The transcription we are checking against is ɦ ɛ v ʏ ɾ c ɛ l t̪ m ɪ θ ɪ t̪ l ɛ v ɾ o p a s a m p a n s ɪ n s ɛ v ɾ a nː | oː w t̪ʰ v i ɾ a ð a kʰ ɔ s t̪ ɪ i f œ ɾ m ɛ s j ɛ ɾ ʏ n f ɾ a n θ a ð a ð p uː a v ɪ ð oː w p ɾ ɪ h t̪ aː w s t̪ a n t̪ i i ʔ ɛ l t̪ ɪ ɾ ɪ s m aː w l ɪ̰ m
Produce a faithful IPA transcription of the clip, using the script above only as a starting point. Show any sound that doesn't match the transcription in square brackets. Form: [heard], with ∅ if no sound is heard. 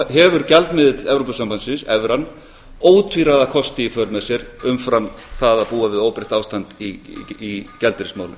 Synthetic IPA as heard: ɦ ɛ v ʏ ɾ c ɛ l t̪ m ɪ [ð] ɪ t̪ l ɛ v ɾ o p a s a m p a n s ɪ n s ɛ v ɾ a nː | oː w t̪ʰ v i ɾ a ð a kʰ ɔ s t̪ ɪ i f œ ɾ m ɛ s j ɛ ɾ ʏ [m] f ɾ a [m] θ a ð a ð p uː a v ɪ ð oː w p ɾ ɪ h t̪ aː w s t̪ a n t̪ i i [c] ɛ l t̪ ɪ ɾ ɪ s m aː w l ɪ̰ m